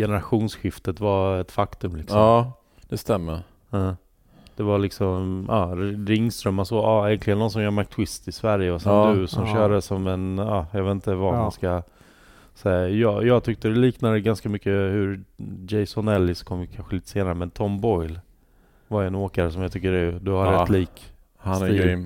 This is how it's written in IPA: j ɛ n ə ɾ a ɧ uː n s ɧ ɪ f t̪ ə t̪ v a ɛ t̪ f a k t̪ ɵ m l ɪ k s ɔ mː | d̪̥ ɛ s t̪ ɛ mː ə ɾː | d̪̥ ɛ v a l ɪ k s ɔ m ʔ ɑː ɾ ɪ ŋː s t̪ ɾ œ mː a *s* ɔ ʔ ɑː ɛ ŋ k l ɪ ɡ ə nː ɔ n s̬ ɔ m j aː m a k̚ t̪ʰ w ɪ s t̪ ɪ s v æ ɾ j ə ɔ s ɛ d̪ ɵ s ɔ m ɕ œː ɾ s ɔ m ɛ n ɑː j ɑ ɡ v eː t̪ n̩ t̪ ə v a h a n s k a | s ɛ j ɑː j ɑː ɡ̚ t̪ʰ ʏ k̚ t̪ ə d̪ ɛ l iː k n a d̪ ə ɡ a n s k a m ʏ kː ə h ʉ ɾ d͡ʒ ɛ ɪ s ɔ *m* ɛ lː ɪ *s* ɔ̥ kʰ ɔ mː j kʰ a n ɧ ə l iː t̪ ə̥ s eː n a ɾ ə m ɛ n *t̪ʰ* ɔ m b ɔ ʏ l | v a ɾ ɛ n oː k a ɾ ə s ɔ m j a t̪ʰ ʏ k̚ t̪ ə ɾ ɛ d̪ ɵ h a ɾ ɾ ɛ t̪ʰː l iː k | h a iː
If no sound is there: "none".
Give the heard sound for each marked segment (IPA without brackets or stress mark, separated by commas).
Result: s, n, s, t̪ʰ